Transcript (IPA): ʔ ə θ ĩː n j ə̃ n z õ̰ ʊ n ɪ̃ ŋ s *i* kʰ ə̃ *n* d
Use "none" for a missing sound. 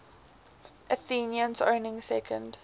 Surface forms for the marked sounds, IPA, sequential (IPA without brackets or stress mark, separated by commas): ɛ, n